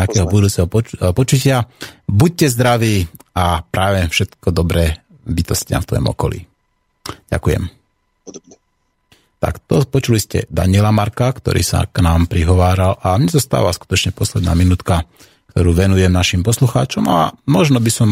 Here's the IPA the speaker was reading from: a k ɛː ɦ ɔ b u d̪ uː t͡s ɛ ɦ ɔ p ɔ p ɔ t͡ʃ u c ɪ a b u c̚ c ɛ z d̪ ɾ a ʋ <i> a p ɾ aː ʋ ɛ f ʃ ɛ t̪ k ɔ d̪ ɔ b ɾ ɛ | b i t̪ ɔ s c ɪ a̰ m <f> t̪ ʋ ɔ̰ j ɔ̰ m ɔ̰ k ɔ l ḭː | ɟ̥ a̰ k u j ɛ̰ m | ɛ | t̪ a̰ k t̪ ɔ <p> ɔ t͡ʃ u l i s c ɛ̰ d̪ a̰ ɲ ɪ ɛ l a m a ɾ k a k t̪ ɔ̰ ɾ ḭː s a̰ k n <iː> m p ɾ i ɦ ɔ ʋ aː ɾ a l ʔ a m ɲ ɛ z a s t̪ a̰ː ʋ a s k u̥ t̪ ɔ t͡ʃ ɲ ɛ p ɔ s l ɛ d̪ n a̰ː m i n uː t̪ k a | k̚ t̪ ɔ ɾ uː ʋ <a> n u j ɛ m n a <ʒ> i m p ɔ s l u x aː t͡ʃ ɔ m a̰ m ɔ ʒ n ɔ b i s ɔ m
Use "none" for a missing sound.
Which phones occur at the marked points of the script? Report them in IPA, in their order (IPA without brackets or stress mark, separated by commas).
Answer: iː, f, p, aː, ɛ, ʃ